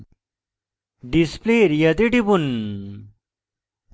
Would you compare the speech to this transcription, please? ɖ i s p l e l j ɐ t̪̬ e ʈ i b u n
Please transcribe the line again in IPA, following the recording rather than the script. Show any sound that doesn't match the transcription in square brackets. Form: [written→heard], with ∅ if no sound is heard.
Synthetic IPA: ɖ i s p l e [l→ɾ] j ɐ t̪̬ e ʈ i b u n